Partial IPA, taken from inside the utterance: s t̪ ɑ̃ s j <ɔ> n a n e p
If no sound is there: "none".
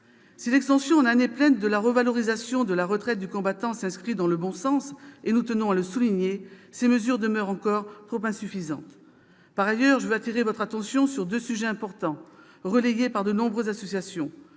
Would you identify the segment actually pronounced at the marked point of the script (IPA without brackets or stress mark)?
ɔ̃